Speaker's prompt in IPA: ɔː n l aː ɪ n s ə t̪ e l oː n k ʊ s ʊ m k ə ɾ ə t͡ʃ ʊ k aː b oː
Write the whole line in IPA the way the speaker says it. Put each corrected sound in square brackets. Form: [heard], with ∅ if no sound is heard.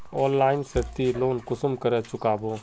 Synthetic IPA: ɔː n l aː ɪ n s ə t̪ [i] l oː n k ʊ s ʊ m k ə ɾ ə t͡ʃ ʊ k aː b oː